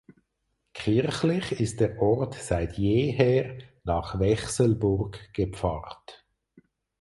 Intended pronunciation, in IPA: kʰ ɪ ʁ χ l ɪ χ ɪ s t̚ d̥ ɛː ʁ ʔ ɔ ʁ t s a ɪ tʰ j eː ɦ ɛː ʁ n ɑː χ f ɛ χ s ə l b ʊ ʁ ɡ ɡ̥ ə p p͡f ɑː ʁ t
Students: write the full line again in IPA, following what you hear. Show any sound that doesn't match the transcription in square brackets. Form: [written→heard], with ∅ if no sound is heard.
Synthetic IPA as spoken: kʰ ɪ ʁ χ l ɪ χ ɪ s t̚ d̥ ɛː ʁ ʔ ɔ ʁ t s a ɪ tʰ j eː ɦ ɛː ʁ n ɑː χ [f→v] ɛ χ s ə l b ʊ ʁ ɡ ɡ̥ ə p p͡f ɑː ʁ t